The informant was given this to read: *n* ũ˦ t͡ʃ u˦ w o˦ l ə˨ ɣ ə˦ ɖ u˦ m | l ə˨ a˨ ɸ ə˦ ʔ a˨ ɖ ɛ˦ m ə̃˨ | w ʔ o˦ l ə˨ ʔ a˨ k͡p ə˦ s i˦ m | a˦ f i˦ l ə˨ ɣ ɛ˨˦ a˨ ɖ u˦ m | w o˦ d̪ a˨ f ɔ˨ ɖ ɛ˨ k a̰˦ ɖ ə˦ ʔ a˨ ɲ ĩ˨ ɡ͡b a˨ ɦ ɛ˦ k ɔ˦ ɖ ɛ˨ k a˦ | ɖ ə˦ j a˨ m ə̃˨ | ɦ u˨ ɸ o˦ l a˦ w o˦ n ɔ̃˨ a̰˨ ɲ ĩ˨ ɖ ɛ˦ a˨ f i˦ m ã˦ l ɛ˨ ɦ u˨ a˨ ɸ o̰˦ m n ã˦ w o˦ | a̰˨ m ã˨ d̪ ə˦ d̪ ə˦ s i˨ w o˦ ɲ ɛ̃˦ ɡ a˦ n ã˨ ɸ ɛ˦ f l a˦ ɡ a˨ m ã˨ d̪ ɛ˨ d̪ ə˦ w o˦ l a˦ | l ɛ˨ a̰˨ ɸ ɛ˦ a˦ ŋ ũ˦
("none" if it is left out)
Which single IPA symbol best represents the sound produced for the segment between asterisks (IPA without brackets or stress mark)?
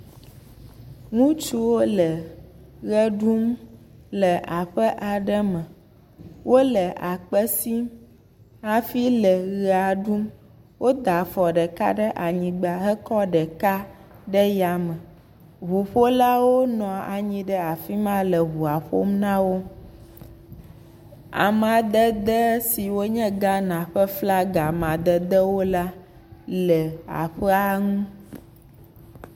ŋ